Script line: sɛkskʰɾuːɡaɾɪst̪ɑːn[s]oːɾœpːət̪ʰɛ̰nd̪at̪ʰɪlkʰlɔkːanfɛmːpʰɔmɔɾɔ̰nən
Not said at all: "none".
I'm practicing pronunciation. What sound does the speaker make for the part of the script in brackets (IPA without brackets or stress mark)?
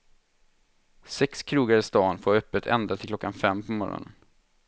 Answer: f